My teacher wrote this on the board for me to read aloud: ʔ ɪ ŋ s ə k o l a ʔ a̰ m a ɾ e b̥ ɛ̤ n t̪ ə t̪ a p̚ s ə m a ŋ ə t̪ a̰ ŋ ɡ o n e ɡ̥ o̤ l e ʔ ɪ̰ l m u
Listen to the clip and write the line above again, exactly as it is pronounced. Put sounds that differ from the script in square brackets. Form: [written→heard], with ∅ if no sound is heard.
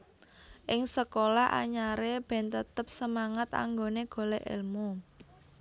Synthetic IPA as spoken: ʔ ɪ ŋ s ə k o l a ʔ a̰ [m→ɲ] a ɾ e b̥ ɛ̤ n t̪ ə t̪ [a→ə] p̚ s ə m a ŋ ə t̪ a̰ ŋ ɡ o n e ɡ̥ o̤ l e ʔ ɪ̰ l m u